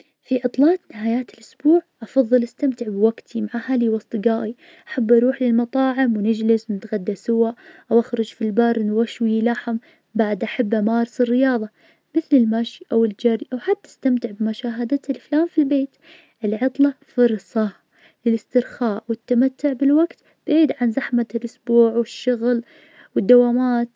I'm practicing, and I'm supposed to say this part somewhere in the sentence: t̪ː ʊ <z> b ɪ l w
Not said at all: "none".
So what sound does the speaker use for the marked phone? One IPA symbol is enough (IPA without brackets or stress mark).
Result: ʕ